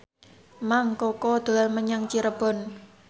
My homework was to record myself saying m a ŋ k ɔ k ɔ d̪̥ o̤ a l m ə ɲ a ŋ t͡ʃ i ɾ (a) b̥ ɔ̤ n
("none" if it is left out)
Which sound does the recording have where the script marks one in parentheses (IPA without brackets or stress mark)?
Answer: ə